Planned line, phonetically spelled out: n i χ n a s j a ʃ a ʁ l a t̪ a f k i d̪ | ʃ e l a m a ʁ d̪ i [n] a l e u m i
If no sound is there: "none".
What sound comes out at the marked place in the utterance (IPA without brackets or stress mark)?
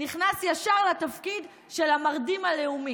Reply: m